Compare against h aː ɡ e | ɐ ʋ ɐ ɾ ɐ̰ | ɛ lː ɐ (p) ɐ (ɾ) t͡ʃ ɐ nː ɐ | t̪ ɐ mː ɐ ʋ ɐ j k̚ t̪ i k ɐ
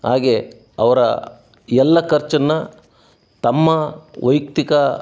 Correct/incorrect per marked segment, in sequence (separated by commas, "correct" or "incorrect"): incorrect, correct